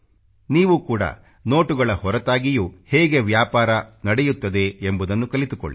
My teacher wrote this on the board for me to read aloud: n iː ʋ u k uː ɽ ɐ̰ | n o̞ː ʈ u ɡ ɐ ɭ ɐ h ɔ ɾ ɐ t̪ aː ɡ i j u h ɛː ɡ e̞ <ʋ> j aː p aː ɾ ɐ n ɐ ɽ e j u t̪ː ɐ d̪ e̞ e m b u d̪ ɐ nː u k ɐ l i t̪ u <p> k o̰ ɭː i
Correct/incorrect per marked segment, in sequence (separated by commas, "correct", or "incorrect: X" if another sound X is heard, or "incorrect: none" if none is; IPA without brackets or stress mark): correct, incorrect: none